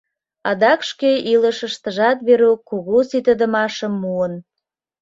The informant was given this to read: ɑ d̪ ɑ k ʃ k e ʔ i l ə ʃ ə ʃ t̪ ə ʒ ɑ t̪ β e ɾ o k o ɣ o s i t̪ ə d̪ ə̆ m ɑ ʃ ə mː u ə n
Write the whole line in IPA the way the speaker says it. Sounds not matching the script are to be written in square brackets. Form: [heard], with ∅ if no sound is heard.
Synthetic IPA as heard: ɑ d̪ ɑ k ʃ k e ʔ i l ə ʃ ə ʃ t̪ ə ʒ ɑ t̪ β e ɾ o k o ɣ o s i t̪ ə d̪ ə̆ m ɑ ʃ ə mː u ə n